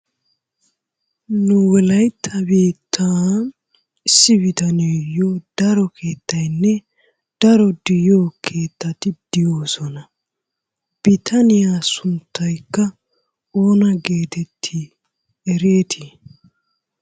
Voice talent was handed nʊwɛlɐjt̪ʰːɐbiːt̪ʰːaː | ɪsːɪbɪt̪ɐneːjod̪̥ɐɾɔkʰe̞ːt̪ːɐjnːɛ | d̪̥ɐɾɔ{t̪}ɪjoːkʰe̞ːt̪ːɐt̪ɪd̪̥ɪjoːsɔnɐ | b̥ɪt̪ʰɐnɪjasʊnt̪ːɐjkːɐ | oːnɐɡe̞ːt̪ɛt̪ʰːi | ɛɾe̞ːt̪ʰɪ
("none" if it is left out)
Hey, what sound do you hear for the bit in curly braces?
d̪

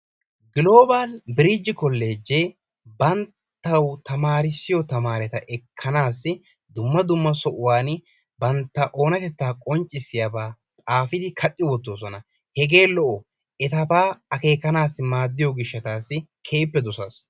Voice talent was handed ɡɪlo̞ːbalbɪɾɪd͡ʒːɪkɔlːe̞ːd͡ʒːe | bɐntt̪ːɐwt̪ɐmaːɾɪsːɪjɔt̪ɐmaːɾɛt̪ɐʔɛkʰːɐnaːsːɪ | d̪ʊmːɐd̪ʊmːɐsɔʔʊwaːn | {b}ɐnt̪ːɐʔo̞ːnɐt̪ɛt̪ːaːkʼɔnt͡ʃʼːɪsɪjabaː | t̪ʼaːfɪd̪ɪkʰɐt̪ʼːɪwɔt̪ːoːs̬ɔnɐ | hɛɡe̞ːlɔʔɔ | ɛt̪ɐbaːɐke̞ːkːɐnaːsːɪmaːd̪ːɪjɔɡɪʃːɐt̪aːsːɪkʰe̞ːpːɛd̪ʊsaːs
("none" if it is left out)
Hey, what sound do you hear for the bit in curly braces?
b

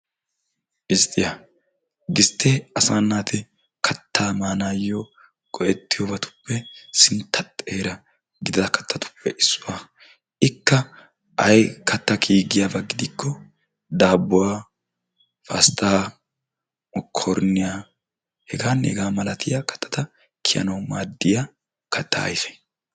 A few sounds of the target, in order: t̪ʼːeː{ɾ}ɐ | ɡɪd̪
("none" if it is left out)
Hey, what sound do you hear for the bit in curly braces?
ɾ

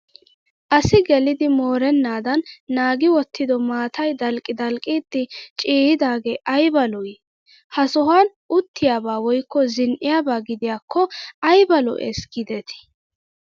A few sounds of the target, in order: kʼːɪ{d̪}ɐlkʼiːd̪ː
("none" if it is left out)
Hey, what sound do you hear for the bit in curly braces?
d̪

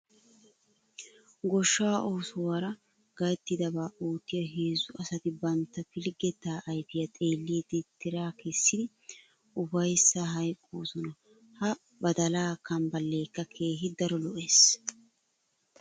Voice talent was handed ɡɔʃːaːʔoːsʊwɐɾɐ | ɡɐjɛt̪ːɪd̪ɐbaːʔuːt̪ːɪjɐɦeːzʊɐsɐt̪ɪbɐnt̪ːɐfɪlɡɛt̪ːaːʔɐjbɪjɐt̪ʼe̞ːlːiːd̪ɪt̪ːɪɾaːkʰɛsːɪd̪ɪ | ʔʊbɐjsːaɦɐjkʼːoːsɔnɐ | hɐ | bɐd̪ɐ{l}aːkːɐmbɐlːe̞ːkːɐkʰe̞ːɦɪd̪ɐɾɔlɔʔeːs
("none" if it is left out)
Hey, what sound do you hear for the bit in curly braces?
l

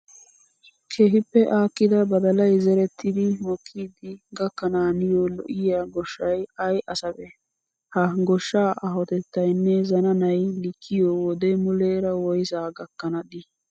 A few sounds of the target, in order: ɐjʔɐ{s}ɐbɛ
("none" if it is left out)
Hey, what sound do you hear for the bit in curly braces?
s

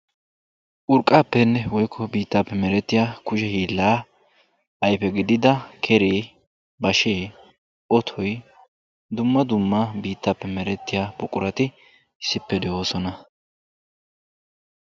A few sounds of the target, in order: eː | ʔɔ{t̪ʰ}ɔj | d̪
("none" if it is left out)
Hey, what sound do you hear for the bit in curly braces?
t̪ʰ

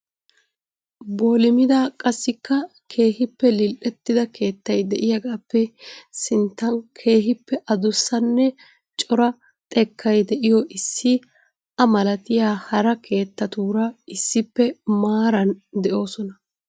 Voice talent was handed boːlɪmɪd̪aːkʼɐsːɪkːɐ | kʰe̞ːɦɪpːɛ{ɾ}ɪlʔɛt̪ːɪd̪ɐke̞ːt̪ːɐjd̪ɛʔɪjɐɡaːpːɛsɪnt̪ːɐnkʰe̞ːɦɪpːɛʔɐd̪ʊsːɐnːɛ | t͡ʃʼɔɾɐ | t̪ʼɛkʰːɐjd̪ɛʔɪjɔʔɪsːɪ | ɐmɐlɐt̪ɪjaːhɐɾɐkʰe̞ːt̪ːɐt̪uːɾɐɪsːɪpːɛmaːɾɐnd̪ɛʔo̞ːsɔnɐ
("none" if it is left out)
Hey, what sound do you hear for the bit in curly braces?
l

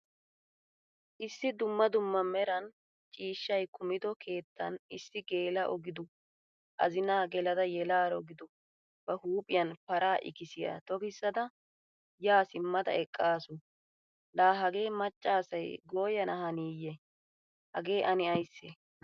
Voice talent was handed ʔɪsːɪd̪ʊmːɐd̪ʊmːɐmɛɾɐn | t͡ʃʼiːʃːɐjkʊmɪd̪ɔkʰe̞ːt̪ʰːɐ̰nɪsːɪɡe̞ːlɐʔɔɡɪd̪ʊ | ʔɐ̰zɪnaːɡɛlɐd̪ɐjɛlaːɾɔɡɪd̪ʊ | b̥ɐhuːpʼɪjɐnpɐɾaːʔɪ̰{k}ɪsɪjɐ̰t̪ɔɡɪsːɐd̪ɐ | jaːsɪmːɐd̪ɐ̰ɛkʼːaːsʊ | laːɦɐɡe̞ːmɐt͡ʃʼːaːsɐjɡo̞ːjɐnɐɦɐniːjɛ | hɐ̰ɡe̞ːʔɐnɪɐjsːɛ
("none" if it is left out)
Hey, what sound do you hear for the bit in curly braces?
k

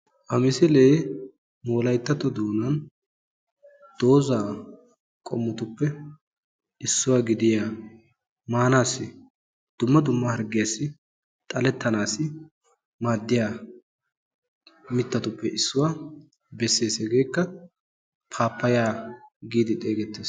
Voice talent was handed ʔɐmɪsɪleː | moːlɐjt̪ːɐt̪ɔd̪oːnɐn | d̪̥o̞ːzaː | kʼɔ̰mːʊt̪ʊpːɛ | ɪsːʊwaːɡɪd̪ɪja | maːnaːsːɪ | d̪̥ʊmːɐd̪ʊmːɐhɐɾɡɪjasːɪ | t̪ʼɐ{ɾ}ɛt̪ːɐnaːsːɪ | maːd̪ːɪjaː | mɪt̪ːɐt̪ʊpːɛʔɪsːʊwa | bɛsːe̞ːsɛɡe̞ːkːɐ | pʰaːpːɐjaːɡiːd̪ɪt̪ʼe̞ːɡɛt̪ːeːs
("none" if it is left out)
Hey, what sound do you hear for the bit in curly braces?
l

